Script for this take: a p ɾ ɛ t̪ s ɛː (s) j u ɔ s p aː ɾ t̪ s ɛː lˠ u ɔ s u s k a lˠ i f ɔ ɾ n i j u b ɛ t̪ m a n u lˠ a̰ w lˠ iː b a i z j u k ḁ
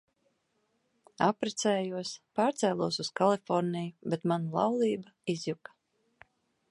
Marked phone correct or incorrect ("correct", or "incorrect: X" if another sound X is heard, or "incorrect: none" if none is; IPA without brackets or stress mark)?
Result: incorrect: none